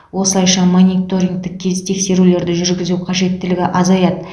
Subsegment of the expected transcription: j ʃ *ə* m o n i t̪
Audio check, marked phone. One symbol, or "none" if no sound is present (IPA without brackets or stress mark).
ɑ